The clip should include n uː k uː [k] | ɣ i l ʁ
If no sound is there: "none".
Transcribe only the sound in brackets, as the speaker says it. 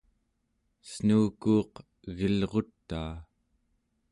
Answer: q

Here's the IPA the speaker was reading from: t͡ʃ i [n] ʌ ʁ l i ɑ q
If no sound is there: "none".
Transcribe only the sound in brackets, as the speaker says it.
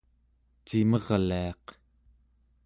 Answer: m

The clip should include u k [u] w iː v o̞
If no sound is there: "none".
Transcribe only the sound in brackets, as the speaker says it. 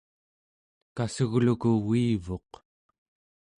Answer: u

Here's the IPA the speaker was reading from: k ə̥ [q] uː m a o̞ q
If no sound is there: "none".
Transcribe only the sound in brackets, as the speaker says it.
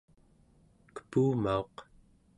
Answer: p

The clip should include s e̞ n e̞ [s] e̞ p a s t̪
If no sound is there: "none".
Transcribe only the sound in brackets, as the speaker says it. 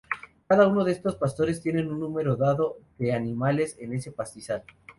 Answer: s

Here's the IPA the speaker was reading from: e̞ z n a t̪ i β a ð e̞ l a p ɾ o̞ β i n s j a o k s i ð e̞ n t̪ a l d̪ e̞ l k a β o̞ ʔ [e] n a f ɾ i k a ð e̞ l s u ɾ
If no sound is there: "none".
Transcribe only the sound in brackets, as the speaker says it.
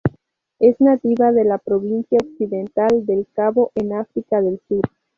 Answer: e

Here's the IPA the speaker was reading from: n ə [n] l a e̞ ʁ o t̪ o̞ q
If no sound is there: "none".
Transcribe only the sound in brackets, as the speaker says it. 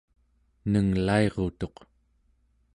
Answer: ŋ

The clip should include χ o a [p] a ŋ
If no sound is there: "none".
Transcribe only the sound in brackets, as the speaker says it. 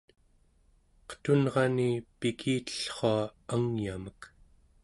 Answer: none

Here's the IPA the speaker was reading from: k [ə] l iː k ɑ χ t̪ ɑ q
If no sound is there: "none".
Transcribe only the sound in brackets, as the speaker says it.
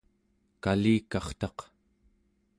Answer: a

